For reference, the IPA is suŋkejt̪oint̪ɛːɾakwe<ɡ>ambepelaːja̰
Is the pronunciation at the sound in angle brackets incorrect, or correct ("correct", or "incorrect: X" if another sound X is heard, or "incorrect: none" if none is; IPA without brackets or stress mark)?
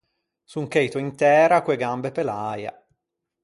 correct